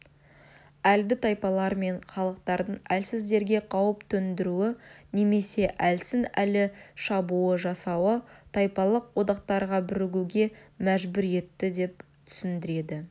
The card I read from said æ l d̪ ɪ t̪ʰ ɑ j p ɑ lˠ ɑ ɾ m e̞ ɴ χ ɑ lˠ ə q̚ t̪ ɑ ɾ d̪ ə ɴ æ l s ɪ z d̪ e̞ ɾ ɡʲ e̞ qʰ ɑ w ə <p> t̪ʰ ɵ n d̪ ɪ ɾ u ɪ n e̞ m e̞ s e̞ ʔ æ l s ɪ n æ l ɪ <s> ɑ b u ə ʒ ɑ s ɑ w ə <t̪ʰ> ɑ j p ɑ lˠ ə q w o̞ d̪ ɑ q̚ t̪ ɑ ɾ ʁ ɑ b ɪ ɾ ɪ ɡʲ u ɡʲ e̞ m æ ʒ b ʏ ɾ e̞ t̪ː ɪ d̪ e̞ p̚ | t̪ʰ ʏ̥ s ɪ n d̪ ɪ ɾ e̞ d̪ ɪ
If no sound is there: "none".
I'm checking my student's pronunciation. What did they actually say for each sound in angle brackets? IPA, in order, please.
p, ʃ, t̪ʰ

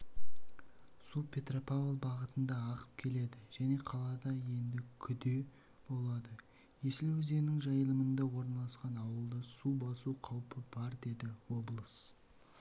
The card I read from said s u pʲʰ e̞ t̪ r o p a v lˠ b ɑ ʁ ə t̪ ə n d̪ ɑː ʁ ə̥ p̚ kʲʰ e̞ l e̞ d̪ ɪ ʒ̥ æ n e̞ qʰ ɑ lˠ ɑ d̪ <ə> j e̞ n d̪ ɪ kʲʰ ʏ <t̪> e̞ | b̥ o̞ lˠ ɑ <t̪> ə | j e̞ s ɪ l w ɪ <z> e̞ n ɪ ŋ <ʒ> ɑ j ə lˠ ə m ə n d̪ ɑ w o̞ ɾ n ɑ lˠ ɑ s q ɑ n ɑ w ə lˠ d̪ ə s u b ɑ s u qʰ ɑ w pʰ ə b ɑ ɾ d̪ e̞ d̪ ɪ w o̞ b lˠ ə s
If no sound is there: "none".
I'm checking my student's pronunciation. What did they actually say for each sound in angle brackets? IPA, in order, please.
ɑ, d̪, d̪, z, ʒ

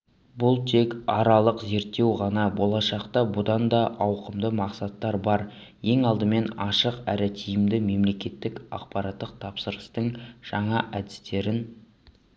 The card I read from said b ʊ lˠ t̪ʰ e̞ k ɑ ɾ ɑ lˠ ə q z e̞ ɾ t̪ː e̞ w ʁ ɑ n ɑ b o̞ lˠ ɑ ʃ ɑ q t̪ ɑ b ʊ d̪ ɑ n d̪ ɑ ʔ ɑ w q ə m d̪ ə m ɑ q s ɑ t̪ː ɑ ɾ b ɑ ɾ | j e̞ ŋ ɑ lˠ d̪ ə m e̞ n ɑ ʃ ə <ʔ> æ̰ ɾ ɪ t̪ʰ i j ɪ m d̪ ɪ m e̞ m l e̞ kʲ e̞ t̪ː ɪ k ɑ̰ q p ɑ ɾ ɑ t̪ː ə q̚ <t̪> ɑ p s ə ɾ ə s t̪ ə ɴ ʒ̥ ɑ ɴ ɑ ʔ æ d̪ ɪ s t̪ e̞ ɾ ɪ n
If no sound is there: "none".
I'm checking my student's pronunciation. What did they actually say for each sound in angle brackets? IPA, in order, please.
q, t̪ʰ

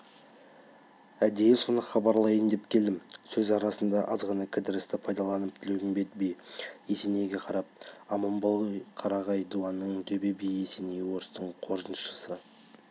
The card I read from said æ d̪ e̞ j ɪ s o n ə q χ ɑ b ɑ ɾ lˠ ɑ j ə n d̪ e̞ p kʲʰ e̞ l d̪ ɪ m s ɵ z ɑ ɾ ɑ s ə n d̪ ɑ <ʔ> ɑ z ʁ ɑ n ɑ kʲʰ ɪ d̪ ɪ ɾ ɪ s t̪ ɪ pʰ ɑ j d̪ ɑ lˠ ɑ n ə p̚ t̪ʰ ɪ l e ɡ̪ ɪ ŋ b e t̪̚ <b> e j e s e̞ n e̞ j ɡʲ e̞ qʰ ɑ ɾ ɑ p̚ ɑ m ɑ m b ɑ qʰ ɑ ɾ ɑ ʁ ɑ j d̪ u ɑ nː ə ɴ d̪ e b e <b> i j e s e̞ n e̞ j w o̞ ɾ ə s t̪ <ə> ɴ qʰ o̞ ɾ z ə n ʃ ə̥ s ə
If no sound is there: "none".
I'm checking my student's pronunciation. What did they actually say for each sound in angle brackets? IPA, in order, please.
ʔ, b, b, ə

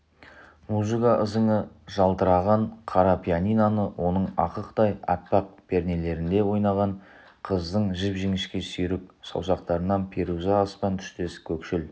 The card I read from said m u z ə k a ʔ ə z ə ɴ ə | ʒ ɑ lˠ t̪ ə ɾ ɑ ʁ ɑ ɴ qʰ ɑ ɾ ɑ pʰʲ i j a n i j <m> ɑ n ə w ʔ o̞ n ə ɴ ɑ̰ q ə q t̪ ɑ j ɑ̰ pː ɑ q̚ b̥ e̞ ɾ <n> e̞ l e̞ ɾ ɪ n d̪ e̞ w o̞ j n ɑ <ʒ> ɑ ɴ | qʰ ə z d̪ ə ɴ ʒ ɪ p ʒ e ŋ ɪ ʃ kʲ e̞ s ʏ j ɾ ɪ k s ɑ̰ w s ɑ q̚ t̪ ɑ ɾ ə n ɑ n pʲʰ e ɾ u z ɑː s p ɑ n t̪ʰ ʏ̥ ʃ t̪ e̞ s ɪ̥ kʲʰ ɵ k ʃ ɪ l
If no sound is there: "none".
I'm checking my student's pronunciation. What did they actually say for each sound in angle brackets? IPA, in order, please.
n, n, ʁ

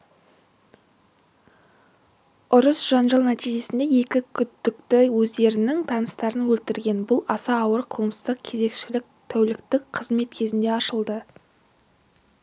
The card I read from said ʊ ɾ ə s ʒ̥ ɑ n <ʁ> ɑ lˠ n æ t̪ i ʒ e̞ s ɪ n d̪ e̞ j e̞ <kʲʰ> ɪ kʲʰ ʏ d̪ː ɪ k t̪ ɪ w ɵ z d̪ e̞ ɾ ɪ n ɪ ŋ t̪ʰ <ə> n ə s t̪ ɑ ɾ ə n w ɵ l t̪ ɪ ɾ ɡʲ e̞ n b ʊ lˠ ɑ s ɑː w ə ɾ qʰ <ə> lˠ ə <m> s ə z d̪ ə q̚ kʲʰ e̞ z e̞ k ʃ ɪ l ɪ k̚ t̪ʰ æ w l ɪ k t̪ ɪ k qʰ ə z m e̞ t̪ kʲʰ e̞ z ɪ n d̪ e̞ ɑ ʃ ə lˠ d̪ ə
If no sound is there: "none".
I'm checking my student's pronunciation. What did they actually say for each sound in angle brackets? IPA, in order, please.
ʒ, kʲ, ɑ, ə, m

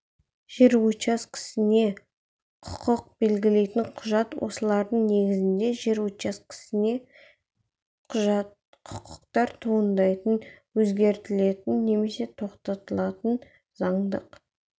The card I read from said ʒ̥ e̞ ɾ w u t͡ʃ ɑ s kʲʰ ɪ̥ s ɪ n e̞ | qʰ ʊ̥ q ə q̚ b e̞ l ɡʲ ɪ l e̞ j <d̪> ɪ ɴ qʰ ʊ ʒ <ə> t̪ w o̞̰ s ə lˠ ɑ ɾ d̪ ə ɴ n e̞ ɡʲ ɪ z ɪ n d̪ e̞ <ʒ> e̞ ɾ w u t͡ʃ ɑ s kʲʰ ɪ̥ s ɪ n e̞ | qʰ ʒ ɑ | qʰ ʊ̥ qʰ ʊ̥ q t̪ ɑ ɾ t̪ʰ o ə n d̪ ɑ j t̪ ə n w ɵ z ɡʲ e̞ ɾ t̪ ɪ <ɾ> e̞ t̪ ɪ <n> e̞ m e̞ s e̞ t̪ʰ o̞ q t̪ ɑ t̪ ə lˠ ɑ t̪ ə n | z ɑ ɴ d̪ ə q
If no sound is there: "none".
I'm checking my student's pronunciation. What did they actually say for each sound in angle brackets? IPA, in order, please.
t̪, ɑ, ʒ, l, nː

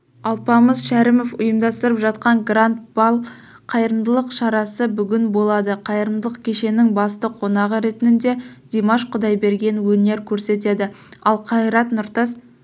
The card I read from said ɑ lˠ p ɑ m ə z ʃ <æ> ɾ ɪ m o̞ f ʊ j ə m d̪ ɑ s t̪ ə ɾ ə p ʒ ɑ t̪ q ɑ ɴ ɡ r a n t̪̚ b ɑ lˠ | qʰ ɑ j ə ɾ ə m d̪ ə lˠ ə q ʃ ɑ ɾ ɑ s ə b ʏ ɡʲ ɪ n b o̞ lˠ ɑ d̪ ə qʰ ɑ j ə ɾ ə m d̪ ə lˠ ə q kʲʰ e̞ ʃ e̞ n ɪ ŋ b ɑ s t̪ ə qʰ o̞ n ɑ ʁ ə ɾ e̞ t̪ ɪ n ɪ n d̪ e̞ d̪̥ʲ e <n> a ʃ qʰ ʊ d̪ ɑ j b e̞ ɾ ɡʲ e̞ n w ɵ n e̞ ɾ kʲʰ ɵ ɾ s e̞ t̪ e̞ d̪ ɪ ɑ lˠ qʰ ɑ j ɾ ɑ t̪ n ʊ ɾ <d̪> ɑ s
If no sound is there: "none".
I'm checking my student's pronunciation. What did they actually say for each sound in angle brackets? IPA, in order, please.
æ, m, t̪

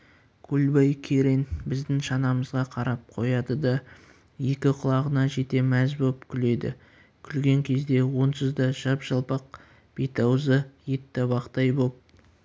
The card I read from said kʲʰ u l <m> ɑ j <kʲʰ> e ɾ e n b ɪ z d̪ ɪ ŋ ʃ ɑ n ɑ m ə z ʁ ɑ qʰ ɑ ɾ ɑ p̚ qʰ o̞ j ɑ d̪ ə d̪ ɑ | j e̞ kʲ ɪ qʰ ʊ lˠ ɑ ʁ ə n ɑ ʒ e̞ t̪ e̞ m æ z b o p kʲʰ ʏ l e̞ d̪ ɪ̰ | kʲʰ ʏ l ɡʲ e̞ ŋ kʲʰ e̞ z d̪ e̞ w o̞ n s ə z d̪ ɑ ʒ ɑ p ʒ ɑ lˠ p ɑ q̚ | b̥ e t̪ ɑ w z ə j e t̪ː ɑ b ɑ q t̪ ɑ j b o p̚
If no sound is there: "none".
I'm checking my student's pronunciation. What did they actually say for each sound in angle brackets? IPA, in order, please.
b, kʲʰ

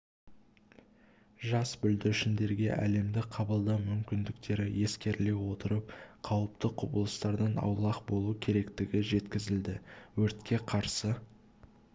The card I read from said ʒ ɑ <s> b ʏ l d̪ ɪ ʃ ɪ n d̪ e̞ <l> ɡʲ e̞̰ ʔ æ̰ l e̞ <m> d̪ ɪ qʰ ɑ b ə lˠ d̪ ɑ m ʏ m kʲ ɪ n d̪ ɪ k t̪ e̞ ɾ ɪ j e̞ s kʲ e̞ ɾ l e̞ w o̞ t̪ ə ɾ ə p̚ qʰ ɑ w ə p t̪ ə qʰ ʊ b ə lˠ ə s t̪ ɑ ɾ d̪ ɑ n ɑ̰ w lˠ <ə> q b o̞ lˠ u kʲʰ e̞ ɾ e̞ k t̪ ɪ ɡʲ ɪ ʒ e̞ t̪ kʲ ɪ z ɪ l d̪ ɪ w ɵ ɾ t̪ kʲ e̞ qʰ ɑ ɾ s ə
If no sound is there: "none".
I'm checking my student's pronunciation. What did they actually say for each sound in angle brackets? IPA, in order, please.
s, ɾ, m, ɑ

